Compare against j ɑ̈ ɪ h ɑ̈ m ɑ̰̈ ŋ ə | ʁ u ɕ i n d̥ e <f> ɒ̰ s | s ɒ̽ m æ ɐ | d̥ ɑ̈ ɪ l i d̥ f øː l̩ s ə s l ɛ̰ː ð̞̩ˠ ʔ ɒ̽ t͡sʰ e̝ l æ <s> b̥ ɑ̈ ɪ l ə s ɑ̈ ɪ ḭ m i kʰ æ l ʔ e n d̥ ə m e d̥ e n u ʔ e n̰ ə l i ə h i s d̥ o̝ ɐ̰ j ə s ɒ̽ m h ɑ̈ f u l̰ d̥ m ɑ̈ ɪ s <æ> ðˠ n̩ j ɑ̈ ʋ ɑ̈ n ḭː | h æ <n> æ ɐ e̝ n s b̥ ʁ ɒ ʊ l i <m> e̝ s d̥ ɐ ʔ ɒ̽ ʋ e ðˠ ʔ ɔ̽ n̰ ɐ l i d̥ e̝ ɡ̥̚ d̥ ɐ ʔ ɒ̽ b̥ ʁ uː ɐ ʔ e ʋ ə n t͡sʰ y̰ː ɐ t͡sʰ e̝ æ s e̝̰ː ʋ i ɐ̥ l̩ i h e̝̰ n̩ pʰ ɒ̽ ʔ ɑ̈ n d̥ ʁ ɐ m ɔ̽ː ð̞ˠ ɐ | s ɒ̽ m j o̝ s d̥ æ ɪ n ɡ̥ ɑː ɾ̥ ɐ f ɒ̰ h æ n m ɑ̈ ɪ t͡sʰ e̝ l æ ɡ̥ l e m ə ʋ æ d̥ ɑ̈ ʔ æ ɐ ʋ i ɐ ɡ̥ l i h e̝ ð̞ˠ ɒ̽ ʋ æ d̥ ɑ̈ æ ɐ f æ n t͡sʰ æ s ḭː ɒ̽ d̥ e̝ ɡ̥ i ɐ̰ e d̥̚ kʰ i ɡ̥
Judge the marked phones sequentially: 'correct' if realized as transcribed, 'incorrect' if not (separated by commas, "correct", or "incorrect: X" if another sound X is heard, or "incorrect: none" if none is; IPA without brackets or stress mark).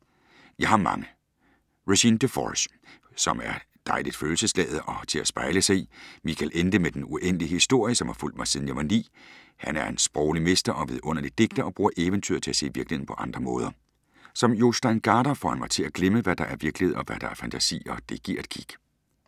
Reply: correct, correct, incorrect: i, correct, correct